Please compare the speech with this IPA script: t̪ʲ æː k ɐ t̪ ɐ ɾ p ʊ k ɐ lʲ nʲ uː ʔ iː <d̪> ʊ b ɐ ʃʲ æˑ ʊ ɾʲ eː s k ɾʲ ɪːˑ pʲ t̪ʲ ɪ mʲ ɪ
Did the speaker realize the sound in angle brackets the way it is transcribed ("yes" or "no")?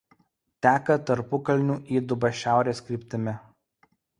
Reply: yes